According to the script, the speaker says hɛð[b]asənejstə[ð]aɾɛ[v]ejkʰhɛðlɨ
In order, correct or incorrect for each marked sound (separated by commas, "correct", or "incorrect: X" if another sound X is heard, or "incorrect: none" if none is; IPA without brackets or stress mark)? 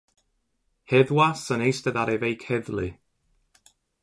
incorrect: w, correct, correct